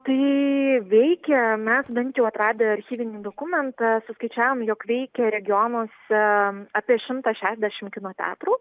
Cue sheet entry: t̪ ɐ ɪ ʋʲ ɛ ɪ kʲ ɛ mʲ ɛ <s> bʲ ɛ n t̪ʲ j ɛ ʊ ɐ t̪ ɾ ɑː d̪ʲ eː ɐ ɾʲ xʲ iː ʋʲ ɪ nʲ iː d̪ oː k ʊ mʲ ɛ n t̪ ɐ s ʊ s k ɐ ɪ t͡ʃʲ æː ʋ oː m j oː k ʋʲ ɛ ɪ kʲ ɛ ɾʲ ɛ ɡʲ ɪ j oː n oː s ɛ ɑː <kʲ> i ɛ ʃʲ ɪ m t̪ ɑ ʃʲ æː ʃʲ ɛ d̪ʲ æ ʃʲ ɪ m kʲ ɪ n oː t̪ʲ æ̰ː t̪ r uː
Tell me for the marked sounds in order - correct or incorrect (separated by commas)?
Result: correct, incorrect